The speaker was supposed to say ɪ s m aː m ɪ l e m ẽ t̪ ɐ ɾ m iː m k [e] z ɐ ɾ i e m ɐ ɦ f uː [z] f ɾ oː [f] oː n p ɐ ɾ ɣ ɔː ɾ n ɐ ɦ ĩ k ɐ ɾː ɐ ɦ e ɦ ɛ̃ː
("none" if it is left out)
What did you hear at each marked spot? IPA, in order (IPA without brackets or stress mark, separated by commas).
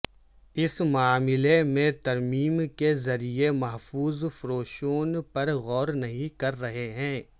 e, z, ʃ